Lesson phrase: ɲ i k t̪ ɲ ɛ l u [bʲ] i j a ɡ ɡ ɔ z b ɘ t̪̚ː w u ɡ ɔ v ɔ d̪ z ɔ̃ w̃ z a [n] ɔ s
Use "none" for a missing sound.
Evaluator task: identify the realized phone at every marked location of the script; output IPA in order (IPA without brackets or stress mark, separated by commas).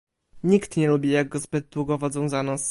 bʲ, n